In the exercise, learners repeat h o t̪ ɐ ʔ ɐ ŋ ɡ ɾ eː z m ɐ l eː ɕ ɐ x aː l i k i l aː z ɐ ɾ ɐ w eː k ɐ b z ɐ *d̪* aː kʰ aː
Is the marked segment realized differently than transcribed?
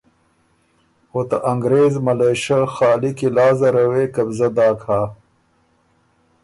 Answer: no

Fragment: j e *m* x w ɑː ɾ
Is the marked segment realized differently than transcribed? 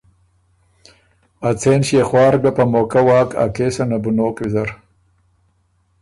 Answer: yes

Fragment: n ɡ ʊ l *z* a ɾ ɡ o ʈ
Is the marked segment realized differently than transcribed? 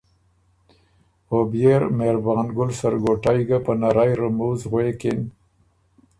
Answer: yes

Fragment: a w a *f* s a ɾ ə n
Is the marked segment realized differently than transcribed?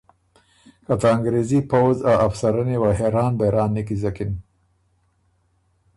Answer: no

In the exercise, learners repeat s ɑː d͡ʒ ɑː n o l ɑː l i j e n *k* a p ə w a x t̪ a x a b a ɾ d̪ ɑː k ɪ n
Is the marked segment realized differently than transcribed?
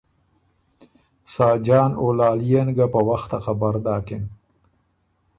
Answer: yes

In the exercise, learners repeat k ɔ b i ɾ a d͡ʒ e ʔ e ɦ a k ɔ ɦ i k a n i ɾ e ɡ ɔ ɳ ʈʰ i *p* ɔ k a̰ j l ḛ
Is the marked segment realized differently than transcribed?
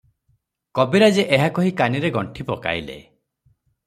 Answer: no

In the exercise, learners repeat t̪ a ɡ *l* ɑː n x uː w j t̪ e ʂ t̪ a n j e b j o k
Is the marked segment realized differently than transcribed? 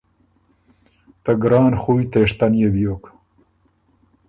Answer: yes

